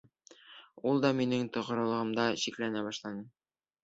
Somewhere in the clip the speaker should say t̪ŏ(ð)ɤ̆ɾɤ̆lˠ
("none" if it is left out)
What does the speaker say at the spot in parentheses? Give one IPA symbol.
ʁ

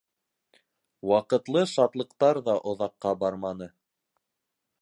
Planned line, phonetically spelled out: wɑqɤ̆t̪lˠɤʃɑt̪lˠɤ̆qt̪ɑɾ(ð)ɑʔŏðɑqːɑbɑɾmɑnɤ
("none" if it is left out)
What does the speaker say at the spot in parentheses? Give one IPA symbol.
ð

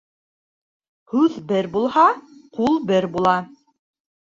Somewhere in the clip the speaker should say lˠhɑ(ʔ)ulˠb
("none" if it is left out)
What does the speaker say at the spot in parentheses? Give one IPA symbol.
q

